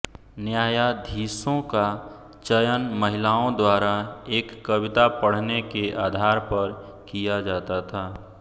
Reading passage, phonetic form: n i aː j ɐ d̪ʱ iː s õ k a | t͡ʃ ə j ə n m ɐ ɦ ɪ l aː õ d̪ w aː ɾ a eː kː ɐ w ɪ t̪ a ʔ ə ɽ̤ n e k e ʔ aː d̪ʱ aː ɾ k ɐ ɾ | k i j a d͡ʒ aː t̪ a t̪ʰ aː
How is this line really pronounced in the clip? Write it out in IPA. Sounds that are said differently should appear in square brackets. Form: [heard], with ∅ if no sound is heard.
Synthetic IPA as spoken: n [j] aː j [a] d̪ʱ iː s õ k a | t͡ʃ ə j ə n m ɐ ɦ ɪ l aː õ d̪ w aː ɾ a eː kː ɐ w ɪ t̪ a [p] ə ɽ̤ n e k e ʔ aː d̪ʱ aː ɾ [p] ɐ ɾ | k i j a d͡ʒ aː t̪ a t̪ʰ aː